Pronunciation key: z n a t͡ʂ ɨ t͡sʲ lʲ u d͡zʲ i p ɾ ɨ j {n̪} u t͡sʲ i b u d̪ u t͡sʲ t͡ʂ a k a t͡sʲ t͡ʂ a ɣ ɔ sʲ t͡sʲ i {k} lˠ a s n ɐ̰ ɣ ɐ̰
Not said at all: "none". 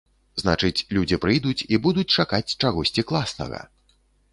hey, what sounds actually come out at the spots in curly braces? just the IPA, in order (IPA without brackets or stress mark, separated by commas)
d̪, k